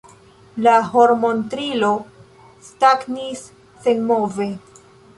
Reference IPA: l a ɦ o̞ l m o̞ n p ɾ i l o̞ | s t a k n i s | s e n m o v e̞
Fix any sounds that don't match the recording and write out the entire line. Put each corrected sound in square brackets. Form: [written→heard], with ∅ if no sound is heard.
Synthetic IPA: l a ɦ o̞ [l→ɾ] m o̞ n [p→t] ɾ i l o̞ | s t a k n i s | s e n m o v e̞